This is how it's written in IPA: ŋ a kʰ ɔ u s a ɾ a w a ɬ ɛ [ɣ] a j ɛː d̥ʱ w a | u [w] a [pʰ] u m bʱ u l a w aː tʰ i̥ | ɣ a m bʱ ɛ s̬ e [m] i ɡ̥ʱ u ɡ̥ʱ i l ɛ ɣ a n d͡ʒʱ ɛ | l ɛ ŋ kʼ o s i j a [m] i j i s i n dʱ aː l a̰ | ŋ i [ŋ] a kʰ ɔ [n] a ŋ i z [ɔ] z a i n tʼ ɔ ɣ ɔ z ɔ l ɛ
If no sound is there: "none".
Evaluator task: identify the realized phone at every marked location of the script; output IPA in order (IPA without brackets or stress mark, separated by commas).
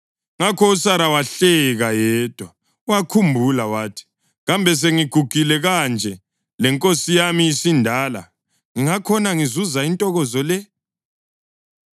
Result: ɣ, w, kʰ, ŋ, m, ŋ, n, u